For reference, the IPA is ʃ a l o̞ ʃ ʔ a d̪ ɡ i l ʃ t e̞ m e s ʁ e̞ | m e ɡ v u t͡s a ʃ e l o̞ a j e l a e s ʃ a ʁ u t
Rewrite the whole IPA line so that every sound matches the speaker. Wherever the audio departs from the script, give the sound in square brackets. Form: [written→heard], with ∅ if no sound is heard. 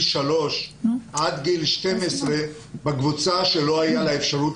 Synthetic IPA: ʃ a l o̞ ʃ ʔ a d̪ ɡ i l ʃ t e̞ m e s ʁ e̞ | [m→b] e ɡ v u t͡s a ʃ e l o̞ a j [e→a] l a e [s→f] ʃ a ʁ u t